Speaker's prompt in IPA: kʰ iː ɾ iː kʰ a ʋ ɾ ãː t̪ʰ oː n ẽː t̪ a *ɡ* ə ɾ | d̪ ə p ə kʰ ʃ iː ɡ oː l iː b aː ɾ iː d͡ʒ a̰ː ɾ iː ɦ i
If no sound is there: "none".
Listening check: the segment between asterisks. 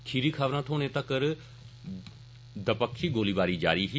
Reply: k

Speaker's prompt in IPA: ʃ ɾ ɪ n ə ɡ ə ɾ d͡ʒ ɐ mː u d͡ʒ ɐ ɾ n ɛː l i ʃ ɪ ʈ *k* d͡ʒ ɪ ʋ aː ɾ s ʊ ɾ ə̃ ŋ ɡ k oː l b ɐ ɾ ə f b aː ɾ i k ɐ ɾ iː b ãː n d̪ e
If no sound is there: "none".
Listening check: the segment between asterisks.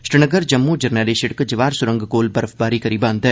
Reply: k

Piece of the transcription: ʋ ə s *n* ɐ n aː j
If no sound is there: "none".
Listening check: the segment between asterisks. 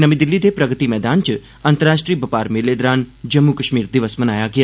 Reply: m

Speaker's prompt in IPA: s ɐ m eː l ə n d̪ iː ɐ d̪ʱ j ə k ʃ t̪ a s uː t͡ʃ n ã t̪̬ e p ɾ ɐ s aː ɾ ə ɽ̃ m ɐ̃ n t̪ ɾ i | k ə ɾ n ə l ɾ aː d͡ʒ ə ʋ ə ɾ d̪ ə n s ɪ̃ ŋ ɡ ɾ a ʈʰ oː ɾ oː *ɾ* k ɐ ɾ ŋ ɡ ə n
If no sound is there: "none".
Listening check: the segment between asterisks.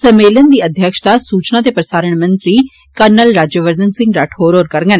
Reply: ɾ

